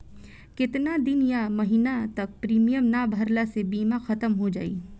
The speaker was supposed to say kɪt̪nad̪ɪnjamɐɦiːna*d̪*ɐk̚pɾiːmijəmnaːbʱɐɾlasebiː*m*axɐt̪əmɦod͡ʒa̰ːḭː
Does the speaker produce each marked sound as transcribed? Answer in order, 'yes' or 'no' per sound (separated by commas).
no, yes